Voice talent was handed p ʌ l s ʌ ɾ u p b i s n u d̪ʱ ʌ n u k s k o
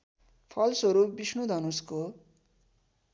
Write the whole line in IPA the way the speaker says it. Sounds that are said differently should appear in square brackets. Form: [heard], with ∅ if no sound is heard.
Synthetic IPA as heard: [pʰ] ʌ l s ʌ ɾ u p b i s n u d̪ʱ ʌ n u [∅] s k o